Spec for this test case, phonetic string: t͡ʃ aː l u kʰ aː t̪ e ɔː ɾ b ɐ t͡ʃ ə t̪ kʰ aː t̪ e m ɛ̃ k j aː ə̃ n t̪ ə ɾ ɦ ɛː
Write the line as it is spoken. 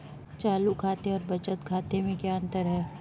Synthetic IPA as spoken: t͡ʃ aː l u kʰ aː t̪ e ɔː ɾ b ɐ t͡ʃ ə t̪ kʰ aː t̪ e m ẽ k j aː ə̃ n t̪ ə ɾ ɦ ɛː

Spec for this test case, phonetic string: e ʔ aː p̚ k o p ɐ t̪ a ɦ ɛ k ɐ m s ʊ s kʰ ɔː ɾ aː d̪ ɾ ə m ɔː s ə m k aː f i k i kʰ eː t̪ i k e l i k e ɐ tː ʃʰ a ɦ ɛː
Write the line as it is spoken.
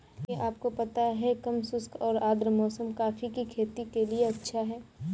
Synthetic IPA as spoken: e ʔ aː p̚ k o p ɐ t̪ a ɦ ɛ k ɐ m s ʊ s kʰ ɔː ɾ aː d̪ ɾ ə m ɔː s ə m k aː f i k i kʰ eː t̪ i k e l i e ɐ tː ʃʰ a ɦ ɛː

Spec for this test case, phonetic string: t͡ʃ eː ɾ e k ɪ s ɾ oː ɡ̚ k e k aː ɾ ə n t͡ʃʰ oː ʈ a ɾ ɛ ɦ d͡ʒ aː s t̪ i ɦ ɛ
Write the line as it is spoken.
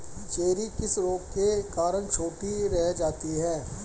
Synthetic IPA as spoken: t͡ʃ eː ɾ i k ɪ s ɾ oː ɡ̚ k e k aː ɾ ə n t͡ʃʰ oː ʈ i ɾ ɛ ɦ d͡ʒ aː t̪ i ɦ ɛː

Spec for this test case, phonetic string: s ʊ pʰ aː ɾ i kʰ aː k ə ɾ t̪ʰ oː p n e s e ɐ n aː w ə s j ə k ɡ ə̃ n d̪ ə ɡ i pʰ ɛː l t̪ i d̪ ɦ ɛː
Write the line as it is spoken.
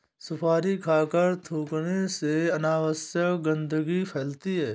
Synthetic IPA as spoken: s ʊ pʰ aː ɾ i kʰ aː k ə ɾ t̪ʰ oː k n e s e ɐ n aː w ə s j ə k ɡ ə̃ n d̪ ə ɡ i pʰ ɛː l t̪ i ɦ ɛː

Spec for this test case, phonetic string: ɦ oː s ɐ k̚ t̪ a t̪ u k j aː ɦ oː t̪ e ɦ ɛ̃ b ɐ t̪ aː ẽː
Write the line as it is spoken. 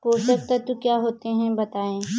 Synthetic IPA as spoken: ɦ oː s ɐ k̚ t̪ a t̪ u k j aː ɦ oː t̪ e ɦ ɛ̃ b ɐ t̪ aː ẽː

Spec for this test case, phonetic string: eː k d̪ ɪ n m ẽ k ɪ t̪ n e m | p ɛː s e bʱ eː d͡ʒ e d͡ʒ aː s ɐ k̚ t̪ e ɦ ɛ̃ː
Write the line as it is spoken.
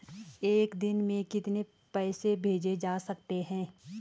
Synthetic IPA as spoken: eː k d̪ ɪ n m ẽ k ɪ t̪ n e | p ɛː s e bʱ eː d͡ʒ e d͡ʒ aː s ɐ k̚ t̪ e ɦ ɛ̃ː

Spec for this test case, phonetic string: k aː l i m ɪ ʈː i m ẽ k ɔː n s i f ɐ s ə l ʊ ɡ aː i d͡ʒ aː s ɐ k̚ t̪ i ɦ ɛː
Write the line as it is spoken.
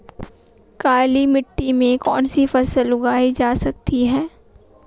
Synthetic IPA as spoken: k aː l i m ɪ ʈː i m ẽ k ɔː n s i f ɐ s ə l ʊ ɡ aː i d͡ʒ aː s ɐ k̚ t̪ i ɦ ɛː

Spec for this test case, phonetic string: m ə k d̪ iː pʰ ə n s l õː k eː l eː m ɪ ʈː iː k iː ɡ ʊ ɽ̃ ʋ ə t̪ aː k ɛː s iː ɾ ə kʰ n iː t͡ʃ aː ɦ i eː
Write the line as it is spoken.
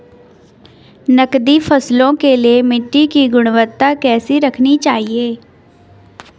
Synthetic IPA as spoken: n ə k d̪ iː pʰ ə s l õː k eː l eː m ɪ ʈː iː k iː ɡ ʊ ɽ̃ ʋ ə t̪ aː k ɛː s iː ɾ ə kʰ n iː t͡ʃ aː ɦ i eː

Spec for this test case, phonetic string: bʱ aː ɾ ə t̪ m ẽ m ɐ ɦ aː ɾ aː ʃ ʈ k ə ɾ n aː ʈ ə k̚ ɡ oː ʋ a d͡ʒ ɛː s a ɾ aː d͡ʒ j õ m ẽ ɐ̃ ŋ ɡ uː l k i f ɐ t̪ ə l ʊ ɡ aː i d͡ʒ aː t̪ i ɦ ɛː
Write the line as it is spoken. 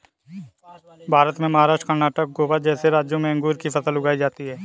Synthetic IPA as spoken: bʱ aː ɾ ə t̪ m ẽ m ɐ ɦ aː ɾ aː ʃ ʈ k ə ɾ n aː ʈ ə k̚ ɡ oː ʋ a d͡ʒ ɛː s e ɾ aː d͡ʒ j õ m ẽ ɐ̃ ŋ ɡ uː ɾ k i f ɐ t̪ ə l ʊ ɡ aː i d͡ʒ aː t̪ i ɦ ɛː

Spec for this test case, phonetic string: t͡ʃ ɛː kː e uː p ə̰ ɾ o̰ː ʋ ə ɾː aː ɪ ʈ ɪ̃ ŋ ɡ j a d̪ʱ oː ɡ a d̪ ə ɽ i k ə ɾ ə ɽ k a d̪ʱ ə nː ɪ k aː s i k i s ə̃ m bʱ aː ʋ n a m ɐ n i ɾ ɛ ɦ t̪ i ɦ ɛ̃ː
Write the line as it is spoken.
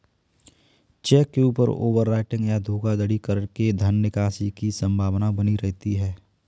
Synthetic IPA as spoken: t͡ʃ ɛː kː e uː p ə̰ ɾ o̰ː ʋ ə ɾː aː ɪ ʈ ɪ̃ ŋ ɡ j a d̪ʱ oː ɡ a d̪ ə ɽ i k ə ɾ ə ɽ k e d̪ʱ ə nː ɪ k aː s i k i s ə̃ m bʱ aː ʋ n a b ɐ n i ɾ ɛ ɦ t̪ i ɦ ɛː

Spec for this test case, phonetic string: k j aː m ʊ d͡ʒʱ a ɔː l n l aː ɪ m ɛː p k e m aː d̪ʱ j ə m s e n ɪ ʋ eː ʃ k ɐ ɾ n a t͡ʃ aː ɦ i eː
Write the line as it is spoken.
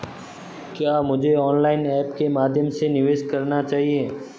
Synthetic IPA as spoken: k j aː m ʊ d͡ʒʱ e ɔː n l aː ɪ n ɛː p k e m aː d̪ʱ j ə m s e n ɪ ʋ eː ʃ k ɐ ɾ n a t͡ʃ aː ɦ i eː

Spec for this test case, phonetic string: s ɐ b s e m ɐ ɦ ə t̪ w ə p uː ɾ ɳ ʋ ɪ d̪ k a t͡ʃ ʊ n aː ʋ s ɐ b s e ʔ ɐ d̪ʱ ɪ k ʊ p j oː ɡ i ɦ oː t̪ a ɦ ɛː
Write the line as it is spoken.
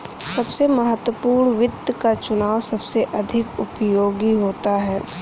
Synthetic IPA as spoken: s ɐ b s e m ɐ ɦ ə t̪ w ə p uː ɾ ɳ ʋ ɪ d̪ k a t͡ʃ ʊ n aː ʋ s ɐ b s e ʔ ɐ d̪ʱ ɪ k ʊ p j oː ɡ i ɦ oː t̪ a ɦ ɛː

